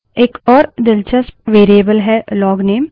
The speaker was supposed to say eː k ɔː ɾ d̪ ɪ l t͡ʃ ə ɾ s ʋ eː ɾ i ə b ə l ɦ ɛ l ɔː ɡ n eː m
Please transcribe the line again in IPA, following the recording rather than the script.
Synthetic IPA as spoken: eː k ɔː ɾ d̪ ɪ l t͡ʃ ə s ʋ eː ɾ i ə b ə l ɦ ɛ l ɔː ɡ n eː m

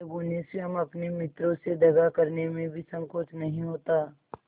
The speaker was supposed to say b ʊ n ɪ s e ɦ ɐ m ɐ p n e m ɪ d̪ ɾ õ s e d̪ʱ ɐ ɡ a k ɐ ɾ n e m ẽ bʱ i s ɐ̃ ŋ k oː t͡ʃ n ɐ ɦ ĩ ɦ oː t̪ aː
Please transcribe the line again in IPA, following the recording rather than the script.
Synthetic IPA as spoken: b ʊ n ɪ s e ɦ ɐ m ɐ p n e m ɪ t̪ ɾ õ s e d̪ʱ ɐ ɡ a k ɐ ɾ n e m ẽ bʱ i s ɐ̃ ŋ k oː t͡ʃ n ɐ ɦ ĩ ɦ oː t̪ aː

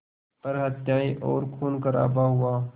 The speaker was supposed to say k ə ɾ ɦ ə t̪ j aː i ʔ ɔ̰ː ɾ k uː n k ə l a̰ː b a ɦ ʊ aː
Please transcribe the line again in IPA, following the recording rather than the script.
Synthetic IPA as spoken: p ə ɾ ɦ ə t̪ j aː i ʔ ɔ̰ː ɾ kʰ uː n k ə ɾ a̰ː b a ɦ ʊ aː

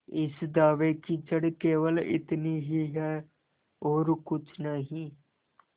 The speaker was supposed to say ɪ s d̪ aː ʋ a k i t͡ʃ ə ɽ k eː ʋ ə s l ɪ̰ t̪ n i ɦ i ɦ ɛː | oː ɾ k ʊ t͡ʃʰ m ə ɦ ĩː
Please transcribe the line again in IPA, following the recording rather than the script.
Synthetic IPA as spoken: ɪ s d̪ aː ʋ e k i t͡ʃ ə ɽ k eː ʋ ə l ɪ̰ t̪ n i ɦ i ɦ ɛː | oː ɾ k ʊ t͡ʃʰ n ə ɦ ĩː

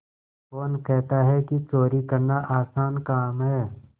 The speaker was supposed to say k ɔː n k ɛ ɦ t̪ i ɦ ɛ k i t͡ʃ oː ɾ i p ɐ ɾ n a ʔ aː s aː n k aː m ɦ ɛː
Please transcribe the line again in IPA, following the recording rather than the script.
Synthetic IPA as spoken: k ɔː n k ɛ ɦ t̪ a ɦ ɛ k i t͡ʃ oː ɾ i k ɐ ɾ n a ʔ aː s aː n k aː m ɦ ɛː

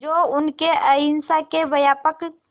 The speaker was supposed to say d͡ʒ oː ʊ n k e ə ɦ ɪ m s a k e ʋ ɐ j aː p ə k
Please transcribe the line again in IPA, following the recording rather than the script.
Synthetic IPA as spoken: d͡ʒ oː ʊ n k e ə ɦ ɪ n s a k e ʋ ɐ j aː p ə k

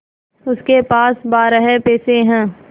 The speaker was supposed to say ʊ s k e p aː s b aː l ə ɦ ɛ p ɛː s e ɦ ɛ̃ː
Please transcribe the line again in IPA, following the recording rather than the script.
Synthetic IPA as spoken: ʊ s k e p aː s b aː ɾ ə ɦ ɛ p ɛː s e ɦ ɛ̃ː

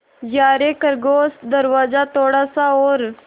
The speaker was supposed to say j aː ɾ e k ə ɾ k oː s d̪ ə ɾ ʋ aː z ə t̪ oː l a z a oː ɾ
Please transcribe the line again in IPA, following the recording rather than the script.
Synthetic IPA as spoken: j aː ɾ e k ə ɾ ɡ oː s d̪ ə ɾ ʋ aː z a t̪ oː ɽ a s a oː ɾ

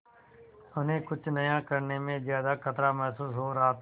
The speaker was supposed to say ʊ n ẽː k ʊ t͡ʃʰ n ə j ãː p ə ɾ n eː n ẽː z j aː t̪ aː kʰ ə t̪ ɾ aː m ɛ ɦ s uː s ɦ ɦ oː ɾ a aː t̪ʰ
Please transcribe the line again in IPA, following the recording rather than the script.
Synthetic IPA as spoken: ʊ n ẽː k ʊ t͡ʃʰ n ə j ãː k ə ɾ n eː m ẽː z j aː d̪ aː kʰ ə t̪ ɾ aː m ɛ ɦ s uː s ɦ ɦ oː ɾ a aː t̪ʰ

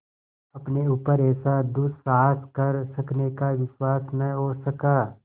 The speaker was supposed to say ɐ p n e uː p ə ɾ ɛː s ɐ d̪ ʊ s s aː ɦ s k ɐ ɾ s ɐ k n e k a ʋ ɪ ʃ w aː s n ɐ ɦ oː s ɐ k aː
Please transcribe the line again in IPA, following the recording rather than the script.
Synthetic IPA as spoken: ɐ p n e uː p ə ɾ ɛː s a d̪ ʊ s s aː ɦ s k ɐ ɾ s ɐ k n e k a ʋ ɪ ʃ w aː s n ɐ ɦ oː s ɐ k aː

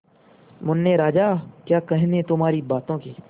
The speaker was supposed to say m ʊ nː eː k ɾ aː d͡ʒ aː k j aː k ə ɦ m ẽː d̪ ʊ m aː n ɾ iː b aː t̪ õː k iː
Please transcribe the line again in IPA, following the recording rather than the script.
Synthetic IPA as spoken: m ʊ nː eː ɾ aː d͡ʒ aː k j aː k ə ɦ n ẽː t̪ ʊ m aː ɾ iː b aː t̪ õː k iː

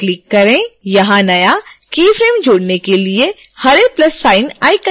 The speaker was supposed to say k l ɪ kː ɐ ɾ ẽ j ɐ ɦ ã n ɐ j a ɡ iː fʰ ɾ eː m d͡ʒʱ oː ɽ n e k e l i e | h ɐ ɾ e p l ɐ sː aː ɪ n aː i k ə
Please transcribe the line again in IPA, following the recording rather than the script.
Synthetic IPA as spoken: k l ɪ kː ɐ ɾ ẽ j ɐ ɦ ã n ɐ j a k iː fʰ ɾ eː m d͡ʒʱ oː ɽ n e k e l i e | h ɐ ɾ e p l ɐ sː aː ɪ n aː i k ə

